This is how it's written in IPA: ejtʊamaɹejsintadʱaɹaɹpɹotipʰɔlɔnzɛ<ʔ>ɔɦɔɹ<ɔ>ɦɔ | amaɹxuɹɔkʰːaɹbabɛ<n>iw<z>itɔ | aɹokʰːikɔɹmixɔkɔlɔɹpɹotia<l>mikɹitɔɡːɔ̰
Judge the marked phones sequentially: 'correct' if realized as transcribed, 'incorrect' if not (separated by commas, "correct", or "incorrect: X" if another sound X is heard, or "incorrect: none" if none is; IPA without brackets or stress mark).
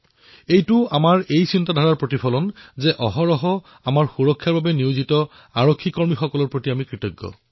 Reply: correct, correct, correct, correct, incorrect: none